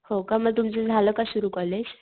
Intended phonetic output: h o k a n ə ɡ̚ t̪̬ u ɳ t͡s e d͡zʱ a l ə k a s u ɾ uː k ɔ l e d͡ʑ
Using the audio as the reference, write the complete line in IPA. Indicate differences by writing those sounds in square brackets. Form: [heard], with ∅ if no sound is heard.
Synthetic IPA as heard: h o k a [m] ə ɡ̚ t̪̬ u [m] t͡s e d͡zʱ a l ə k a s u ɾ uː k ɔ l e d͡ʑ